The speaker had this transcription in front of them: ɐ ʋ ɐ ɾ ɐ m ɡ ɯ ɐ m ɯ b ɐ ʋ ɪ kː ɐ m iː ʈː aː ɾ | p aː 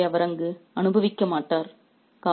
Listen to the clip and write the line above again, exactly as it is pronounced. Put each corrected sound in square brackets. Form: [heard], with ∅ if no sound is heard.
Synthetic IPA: ɐ ʋ ɐ ɾ ɐ [ŋ] ɡ ɯ ɐ [n] ɯ b ɐ ʋ ɪ kː ɐ m [aː] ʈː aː ɾ | [k] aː